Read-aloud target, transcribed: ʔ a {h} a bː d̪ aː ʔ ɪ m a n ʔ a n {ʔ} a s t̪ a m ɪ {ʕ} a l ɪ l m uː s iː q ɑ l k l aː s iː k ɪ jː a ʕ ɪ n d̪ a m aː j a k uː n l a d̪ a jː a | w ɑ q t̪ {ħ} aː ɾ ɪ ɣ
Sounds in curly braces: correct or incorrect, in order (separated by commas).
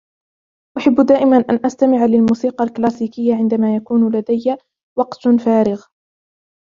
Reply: incorrect, correct, correct, incorrect